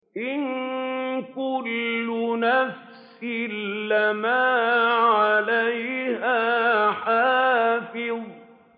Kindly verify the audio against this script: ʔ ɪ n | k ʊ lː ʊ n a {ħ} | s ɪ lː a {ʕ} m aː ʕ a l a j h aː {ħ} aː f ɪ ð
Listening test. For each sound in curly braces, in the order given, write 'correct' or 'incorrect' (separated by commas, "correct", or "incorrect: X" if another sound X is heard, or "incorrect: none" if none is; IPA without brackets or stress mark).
incorrect: f, incorrect: none, correct